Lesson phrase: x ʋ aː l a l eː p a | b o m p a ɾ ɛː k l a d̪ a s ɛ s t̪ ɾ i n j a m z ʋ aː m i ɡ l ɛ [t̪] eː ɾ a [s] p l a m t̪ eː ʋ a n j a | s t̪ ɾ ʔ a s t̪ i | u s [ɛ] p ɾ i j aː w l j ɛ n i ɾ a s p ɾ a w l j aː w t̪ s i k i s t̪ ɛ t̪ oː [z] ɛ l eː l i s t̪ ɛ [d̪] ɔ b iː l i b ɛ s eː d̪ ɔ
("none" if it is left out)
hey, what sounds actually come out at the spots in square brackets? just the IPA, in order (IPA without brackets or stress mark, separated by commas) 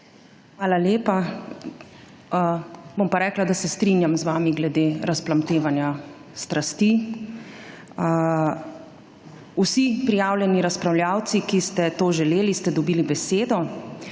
d̪, s, i, ʒ, d̪